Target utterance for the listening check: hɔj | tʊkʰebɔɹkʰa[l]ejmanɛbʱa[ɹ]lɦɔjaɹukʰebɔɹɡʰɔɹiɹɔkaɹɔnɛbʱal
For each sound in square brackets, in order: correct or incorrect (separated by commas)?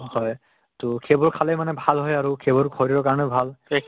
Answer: correct, incorrect